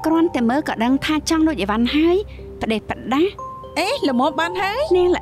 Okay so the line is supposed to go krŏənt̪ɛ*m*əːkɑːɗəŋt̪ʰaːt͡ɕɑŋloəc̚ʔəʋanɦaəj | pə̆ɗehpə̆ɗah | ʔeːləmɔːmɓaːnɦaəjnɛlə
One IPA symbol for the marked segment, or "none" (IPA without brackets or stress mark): m